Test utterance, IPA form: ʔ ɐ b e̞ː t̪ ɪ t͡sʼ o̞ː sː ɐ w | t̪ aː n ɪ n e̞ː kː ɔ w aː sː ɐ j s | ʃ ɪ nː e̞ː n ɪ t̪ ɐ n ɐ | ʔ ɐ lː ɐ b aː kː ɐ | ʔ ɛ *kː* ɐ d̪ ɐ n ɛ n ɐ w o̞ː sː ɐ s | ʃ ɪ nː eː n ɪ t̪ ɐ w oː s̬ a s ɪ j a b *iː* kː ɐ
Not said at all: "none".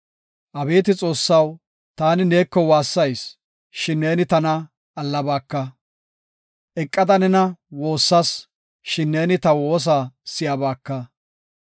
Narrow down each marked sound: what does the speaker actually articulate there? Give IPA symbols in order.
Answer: kʼː, aː

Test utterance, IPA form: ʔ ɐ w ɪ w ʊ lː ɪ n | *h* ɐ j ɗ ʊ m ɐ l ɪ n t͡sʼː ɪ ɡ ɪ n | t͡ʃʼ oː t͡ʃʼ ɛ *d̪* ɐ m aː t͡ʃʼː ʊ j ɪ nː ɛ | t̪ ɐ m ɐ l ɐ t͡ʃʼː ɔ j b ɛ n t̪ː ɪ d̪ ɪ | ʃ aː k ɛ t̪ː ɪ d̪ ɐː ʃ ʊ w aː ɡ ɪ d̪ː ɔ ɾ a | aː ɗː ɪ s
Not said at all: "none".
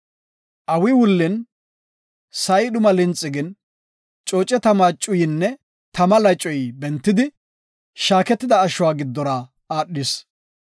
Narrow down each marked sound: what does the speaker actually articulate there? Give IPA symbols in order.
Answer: s, t̪

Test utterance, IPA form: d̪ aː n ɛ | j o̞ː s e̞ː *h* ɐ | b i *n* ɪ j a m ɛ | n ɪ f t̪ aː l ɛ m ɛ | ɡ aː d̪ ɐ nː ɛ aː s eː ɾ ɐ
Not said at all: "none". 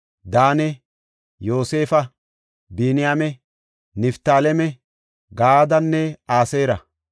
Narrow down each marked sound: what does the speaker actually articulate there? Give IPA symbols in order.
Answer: f, n

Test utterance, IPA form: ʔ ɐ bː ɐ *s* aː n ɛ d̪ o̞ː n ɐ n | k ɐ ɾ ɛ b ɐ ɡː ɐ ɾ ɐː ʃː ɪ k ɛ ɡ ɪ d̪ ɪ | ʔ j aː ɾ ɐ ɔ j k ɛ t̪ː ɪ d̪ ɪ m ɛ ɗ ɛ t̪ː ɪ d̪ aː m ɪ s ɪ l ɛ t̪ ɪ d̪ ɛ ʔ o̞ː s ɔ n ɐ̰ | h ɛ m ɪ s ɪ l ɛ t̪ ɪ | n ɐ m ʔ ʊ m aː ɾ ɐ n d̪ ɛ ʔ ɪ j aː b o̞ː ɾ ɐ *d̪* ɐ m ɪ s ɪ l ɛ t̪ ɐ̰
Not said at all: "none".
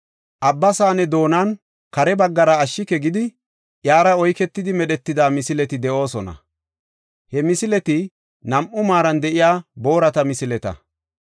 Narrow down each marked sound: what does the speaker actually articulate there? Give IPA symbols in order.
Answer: s, t̪

